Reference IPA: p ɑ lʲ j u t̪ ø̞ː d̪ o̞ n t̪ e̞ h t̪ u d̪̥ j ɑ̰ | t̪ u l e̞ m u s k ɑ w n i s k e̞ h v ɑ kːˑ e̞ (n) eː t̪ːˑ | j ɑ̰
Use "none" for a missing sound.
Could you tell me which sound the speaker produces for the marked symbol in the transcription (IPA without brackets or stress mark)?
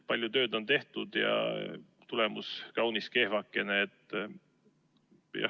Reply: n